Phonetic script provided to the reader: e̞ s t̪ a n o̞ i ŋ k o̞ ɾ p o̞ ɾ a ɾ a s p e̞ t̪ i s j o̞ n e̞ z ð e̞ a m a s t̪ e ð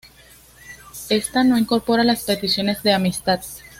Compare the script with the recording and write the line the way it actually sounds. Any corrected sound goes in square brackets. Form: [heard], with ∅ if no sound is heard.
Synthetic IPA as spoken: e̞ s t̪ a n o̞ i ŋ k o̞ ɾ p o̞ ɾ a [l] a s p e̞ t̪ i s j o̞ n e̞ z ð e̞ a m [i] s t̪ [a] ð